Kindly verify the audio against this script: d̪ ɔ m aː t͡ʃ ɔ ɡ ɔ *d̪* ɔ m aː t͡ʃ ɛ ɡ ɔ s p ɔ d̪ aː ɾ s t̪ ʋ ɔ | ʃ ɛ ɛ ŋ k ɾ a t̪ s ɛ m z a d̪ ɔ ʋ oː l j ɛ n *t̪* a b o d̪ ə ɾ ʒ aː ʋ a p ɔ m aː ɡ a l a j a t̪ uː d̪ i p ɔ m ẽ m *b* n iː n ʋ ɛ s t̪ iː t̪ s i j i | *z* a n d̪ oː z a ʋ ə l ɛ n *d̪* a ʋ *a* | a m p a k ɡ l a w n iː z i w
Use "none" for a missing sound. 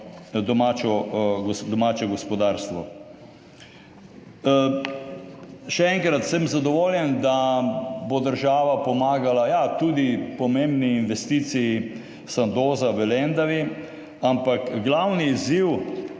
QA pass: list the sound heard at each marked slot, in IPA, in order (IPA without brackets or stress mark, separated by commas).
d̪, d̪, b, s, d̪, i